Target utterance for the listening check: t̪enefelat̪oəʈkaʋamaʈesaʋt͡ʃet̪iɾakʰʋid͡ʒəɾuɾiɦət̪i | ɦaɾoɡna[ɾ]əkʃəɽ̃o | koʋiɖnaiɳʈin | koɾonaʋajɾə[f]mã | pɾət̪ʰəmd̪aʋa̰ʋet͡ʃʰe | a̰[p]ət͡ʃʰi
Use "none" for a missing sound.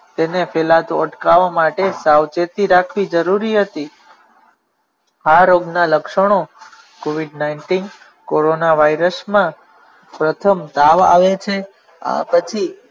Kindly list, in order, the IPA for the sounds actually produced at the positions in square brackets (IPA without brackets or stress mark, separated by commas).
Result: l, s, p